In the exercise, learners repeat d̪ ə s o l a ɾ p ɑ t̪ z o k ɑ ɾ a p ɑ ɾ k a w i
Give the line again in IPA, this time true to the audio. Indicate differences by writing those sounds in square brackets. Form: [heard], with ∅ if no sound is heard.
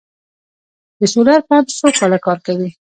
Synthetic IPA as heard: d̪ ə s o l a ɾ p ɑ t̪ [s] o k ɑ [l] a [k] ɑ ɾ k a w i